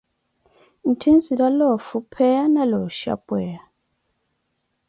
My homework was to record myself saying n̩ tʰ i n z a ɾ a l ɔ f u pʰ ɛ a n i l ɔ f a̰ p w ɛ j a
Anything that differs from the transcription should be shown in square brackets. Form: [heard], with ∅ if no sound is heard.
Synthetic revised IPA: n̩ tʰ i n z [i] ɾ a l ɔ f u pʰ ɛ a n [a] l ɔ [ʃ] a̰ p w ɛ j a